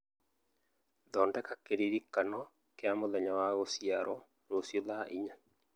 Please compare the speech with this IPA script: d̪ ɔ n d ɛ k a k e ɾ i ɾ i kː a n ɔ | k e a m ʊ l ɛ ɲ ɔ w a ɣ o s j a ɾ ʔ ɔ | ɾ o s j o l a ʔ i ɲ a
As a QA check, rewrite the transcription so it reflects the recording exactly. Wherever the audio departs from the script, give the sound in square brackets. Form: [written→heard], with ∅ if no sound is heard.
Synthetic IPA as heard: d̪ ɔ n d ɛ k a k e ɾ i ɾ i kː a n ɔ | k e a m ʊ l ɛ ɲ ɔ w a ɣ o s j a ɾ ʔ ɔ | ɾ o s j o l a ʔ i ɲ a